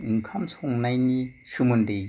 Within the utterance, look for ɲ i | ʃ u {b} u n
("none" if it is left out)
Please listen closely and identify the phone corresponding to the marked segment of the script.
m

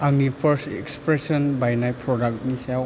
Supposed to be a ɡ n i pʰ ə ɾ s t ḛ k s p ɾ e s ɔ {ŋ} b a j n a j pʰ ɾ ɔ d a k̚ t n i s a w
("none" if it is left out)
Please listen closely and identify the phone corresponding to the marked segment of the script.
n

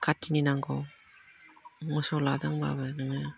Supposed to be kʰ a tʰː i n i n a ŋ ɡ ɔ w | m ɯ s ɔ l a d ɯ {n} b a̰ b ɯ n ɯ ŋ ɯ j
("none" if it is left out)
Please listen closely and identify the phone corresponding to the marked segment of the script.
ŋ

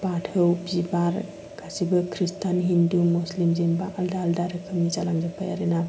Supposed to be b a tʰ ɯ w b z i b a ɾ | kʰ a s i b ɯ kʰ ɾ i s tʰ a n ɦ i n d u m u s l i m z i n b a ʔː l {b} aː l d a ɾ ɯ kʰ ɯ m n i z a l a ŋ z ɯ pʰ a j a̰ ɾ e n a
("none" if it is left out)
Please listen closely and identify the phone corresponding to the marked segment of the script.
d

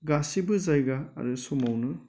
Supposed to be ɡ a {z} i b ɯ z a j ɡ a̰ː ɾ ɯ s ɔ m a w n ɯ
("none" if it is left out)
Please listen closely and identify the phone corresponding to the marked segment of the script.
s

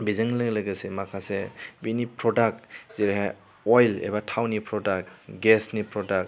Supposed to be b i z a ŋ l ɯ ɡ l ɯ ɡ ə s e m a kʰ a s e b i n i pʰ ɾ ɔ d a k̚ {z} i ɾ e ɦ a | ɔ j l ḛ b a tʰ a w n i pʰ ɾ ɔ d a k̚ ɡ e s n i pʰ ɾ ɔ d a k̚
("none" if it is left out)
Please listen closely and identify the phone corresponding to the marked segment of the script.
z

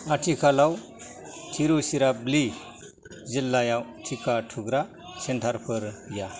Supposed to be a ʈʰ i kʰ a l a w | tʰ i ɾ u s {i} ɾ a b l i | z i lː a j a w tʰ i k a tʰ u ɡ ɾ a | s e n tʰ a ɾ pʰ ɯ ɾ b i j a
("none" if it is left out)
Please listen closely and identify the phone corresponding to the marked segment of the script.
i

